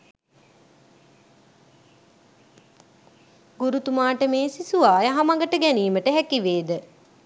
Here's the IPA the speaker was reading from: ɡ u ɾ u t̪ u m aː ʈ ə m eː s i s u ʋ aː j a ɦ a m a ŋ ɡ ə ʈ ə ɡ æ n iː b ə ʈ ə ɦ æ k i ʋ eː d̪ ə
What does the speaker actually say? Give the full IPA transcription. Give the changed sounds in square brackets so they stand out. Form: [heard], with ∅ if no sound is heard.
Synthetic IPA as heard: ɡ u ɾ u t̪ u m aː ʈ ə m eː s i s u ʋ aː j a ɦ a m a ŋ ɡ ə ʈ ə ɡ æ n iː [m] ə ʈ ə ɦ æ k i ʋ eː d̪ ə

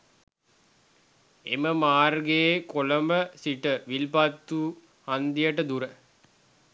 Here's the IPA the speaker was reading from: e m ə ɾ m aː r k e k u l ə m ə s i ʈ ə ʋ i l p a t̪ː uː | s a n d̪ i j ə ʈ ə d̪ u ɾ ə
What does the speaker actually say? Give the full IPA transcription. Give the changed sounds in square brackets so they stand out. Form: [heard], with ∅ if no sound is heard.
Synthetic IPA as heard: e m ə [∅] m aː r [ɡ] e k [o] l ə m ə s i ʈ ə ʋ i l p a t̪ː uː | [h] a n d̪ i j ə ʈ ə d̪ u ɾ ə

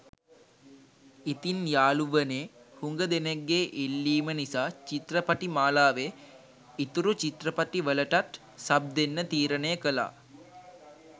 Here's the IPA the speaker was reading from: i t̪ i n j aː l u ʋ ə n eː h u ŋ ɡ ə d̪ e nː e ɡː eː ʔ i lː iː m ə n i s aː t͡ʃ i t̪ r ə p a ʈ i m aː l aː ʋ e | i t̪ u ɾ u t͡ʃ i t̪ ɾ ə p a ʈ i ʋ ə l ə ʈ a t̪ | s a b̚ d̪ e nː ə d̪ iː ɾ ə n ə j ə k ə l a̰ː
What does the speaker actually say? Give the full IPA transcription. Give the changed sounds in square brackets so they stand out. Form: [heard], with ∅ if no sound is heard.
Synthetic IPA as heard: i t̪ i n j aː l u ʋ ə n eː h u ŋ ɡ ə d̪ e [n] e ɡː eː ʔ i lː iː m ə n i s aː t͡ʃ i t̪ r ə p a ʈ i m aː l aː ʋ e | i t̪ u ɾ u t͡ʃ i t̪ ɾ ə p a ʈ i ʋ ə l ə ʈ a t̪ | s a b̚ d̪ e nː ə [t̪] iː ɾ ə n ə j ə k ə l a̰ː

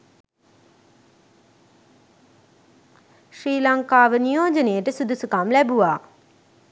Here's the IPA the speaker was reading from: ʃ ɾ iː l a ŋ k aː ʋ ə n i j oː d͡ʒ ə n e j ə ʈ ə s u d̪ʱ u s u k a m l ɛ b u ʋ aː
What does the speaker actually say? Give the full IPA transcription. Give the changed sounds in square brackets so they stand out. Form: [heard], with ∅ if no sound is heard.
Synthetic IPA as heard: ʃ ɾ iː l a ŋ k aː ʋ ə n i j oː d͡ʒ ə n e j ə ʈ ə s u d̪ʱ u s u k a m l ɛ b u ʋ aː

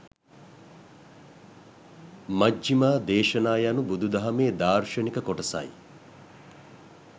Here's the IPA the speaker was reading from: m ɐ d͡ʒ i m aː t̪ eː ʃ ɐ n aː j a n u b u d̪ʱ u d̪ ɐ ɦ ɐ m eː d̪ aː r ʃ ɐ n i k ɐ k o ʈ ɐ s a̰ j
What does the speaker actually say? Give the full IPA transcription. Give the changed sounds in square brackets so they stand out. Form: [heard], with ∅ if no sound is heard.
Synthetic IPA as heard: m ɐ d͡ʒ i m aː [d̪] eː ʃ ɐ n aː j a n u b u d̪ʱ u d̪ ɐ ɦ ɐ m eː d̪ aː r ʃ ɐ n i k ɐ k o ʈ ɐ s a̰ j

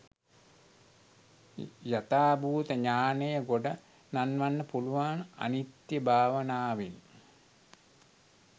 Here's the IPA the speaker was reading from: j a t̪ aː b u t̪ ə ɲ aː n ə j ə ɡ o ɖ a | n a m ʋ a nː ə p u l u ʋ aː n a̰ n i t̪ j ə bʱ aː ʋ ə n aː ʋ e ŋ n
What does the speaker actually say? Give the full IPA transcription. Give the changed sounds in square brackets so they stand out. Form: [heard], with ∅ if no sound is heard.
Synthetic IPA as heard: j a t̪ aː b [uː] t̪ ə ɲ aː n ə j ə ɡ o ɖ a | n a [n] ʋ a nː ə p u l u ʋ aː n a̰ n i t̪ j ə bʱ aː ʋ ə n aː ʋ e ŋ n

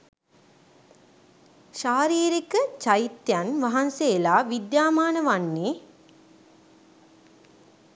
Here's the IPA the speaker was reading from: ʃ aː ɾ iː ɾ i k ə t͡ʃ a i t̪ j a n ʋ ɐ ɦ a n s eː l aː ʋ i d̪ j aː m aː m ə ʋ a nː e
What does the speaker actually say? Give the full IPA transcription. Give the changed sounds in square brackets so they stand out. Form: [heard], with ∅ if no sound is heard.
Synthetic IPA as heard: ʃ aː ɾ iː ɾ i k ə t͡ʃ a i t̪ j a n ʋ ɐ ɦ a n s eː l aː ʋ i d̪ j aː m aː [n] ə ʋ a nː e

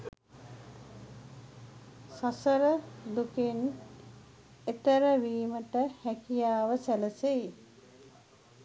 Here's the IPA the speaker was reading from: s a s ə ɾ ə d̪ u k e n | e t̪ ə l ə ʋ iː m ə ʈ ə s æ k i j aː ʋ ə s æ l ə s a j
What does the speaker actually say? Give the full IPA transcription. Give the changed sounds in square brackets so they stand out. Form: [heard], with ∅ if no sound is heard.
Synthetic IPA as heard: s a s ə ɾ ə d̪ u k e n | e t̪ ə [ɾ] ə ʋ iː m ə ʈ ə [h] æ k i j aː ʋ ə s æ l ə s [e] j

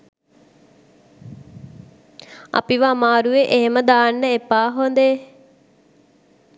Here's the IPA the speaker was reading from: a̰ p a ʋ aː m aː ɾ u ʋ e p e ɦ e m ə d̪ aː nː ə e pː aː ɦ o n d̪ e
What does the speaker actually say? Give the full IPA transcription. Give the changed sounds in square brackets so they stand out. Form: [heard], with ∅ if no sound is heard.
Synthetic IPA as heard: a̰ p [i] ʋ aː m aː ɾ u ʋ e [ʔ] e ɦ e m ə d̪ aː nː ə e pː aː ɦ o n d̪ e

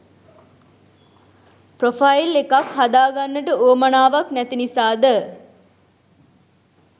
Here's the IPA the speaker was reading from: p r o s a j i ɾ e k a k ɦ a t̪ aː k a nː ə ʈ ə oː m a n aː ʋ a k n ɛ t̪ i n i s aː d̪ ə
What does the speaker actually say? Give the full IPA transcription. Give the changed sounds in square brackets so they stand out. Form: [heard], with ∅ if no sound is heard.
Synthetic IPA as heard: p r o [f] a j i [l] e k a k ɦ a [d̪] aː [ɡ] a nː ə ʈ ə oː m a n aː ʋ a k n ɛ t̪ i n i s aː d̪ ə

